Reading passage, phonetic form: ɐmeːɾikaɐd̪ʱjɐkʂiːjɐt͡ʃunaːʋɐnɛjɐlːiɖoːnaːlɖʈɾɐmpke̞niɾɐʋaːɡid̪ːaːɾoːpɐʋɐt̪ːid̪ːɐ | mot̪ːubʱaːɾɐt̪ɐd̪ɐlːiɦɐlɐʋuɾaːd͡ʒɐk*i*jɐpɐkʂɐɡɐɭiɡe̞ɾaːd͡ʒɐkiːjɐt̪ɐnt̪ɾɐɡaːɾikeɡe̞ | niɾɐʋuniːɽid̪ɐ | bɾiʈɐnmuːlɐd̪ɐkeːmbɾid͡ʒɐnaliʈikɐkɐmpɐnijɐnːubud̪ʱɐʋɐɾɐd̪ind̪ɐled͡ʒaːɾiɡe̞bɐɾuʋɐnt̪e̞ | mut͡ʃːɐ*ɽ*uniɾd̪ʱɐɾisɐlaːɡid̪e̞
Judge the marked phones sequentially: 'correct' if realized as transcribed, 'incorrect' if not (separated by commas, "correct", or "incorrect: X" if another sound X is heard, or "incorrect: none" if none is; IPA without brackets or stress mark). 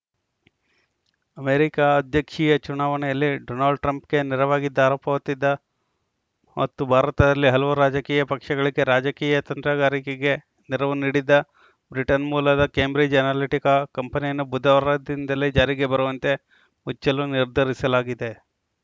incorrect: iː, incorrect: l